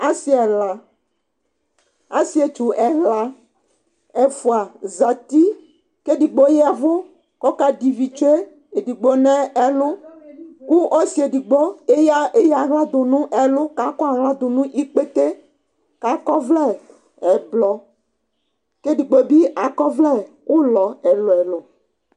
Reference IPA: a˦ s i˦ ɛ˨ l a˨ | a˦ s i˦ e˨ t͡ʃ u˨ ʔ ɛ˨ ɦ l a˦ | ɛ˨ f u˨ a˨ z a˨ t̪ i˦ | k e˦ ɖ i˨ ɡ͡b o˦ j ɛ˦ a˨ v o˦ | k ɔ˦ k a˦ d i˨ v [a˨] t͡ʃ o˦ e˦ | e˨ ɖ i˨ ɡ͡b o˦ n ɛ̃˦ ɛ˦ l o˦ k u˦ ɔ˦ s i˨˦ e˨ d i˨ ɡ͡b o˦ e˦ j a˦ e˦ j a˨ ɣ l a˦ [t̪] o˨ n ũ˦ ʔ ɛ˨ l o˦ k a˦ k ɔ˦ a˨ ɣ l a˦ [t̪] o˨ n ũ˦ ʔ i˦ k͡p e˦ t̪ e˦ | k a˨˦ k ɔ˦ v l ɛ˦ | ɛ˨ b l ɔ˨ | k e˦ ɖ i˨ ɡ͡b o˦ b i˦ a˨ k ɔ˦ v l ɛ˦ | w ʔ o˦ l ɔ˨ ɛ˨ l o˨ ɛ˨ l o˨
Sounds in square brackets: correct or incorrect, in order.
incorrect: i˨, incorrect: d̪, incorrect: d̪

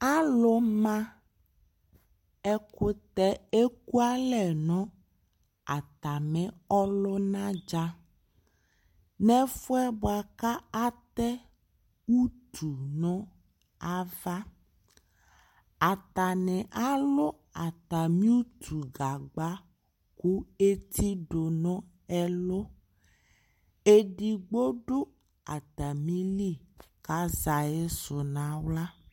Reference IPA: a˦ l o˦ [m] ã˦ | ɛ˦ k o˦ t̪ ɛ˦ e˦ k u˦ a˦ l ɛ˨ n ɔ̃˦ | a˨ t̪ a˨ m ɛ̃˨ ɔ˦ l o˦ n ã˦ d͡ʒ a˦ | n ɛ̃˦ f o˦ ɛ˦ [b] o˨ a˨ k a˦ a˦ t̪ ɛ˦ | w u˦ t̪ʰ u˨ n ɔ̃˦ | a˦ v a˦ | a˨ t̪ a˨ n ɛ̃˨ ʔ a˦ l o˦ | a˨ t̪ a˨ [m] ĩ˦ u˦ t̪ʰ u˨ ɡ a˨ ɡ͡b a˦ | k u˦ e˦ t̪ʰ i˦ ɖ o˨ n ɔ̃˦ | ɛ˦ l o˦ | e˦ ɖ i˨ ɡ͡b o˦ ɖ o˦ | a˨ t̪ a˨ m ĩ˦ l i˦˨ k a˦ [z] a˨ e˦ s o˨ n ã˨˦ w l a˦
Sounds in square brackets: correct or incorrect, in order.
correct, correct, correct, correct

